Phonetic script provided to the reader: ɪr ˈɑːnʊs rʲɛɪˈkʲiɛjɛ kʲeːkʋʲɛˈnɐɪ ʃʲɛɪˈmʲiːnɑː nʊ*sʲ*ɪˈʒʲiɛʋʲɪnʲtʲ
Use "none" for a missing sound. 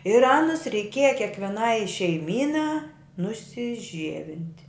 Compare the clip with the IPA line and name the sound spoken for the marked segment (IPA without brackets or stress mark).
sʲ